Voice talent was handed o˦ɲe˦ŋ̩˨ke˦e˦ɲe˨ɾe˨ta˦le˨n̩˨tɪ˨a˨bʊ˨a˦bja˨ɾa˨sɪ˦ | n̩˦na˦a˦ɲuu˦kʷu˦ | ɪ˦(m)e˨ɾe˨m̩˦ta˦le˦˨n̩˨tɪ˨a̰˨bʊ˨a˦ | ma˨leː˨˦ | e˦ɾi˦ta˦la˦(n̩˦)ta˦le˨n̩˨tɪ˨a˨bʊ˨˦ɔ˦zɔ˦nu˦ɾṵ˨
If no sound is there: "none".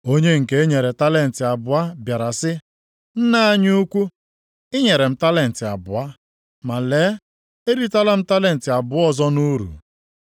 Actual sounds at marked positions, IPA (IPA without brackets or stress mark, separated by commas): ɲ, m̩˦